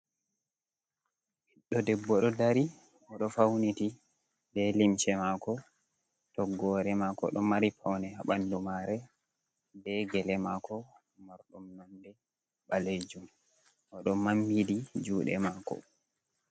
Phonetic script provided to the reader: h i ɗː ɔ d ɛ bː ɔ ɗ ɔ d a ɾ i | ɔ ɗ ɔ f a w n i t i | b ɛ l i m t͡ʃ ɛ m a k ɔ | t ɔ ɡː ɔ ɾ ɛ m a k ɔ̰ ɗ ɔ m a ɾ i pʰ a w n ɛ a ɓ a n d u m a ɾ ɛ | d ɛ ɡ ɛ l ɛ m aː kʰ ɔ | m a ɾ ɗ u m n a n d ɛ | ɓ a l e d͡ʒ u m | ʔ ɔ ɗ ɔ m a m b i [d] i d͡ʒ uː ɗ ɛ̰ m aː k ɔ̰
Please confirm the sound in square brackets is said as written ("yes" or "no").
yes